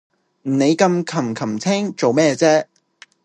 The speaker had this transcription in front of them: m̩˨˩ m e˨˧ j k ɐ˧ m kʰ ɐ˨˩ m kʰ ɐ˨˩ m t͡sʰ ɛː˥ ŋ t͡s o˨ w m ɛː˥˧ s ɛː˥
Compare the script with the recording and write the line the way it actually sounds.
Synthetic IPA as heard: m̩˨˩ n e˨˧ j k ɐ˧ m kʰ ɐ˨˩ m kʰ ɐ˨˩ m t͡sʰ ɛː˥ ŋ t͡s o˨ w m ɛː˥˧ t͡s ɛː˥